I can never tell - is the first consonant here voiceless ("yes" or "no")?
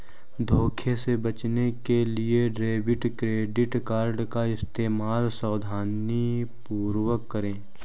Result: no